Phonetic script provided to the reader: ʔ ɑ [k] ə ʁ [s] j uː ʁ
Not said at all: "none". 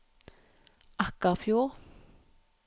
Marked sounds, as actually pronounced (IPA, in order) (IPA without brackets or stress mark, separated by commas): k, f